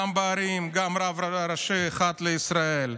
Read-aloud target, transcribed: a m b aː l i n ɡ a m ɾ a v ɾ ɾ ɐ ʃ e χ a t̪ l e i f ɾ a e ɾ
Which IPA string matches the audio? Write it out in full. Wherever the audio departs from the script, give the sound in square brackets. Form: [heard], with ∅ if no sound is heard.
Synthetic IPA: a m b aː [ɾ] i [m] ɡ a m ɾ a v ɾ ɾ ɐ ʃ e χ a t̪ l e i [s] ɾ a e [l]